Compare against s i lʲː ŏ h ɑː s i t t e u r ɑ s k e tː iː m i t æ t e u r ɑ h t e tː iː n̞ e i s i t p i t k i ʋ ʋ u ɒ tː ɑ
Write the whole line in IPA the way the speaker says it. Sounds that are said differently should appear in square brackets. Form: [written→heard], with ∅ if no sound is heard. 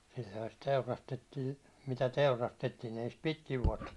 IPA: s i lʲː ŏ h [ɑː→ɑ] s i t t e u r ɑ s [k→t] e tː iː m i t æ t e u r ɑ [h→s] t e tː iː n̞ e i s i t p i t k i ʋ ʋ u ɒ tː ɑ